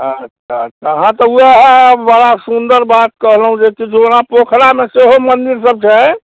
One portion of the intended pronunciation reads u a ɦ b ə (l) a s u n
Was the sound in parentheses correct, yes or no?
no